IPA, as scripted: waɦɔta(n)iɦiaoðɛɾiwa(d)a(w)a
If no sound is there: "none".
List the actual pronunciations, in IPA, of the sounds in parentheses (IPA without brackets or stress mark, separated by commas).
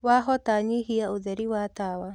ɲ, t, w